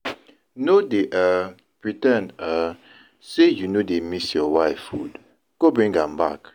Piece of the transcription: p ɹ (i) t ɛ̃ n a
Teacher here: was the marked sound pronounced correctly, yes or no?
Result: yes